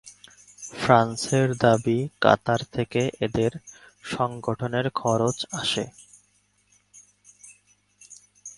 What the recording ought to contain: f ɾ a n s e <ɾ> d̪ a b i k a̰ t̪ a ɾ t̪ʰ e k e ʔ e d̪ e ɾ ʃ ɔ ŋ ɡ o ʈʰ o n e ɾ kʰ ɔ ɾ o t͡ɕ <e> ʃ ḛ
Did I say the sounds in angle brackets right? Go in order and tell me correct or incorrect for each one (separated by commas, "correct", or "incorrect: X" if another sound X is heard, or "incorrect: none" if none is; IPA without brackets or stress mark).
correct, incorrect: a